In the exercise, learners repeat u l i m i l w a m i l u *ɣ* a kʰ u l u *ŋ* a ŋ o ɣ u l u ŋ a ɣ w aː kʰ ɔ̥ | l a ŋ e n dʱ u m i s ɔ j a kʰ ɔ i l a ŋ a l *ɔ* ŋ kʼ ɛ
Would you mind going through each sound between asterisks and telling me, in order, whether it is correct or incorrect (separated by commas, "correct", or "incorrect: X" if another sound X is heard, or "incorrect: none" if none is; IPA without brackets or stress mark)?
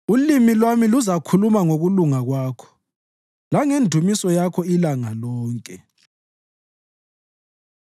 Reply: incorrect: z, incorrect: m, incorrect: ɔː